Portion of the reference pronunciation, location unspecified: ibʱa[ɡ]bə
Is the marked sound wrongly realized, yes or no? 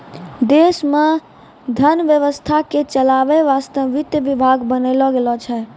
no